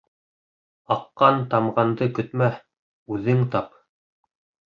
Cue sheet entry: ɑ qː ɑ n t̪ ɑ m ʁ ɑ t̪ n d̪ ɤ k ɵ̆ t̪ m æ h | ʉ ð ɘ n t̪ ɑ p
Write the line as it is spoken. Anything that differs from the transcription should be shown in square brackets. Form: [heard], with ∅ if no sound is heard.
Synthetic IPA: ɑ qː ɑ n t̪ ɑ m ʁ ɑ [∅] n d̪ ɤ k ɵ̆ t̪ m æ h | ʉ ð ɘ [ŋ] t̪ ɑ p